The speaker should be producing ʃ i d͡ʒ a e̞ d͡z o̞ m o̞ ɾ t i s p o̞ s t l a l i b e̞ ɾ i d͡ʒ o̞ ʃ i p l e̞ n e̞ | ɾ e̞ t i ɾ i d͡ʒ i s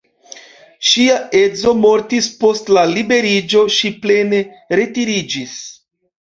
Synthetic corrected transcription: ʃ i a e̞ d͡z o̞ m o̞ ɾ t i s p o̞ s t l a l i b e̞ ɾ i d͡ʒ o̞ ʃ i p l e̞ n e̞ | ɾ e̞ t i ɾ i d͡ʒ i s